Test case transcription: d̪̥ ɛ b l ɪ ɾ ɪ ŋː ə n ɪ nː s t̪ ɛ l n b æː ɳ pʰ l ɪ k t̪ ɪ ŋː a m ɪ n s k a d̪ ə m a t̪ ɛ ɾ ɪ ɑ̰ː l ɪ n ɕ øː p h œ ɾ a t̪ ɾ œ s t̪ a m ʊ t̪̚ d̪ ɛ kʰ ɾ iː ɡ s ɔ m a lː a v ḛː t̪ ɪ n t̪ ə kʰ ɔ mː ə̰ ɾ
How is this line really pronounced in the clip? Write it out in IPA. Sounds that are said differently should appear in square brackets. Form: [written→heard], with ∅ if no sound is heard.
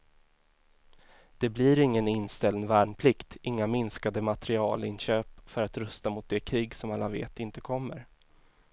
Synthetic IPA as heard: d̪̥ ɛ b l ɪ ɾ ɪ ŋː ə n ɪ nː s t̪ ɛ l n [b→v] æː ɳ pʰ l ɪ k t̪ ɪ ŋː a m ɪ n s k a d̪ ə m a t̪ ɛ ɾ ɪ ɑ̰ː l ɪ n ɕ øː p [h→f] œ ɾ a t̪ ɾ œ s t̪ a m ʊ t̪̚ d̪ ɛ kʰ ɾ iː ɡ s ɔ m a lː a v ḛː t̪ ɪ n t̪ ə kʰ ɔ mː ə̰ ɾ